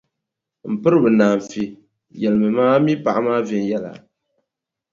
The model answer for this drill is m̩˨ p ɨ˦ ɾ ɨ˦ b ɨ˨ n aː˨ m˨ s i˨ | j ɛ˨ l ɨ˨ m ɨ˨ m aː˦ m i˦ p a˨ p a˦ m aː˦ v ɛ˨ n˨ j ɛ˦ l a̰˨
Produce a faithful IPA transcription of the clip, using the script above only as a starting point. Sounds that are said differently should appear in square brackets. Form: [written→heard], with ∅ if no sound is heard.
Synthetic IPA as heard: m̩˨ p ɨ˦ ɾ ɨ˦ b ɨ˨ n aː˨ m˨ [s→f] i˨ | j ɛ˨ l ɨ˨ m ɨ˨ m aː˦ m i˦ p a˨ [p→ʔ] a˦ m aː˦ v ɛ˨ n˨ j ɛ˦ l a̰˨